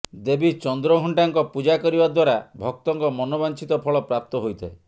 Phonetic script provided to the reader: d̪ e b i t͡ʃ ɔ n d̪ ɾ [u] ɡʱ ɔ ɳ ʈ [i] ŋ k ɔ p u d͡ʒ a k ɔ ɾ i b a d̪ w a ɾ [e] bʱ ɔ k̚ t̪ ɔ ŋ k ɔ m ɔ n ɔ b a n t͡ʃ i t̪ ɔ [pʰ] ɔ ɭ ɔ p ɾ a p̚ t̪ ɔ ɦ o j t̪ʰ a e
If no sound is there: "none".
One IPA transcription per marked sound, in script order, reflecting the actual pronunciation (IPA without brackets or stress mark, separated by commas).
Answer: ɔ, a, a, pʰ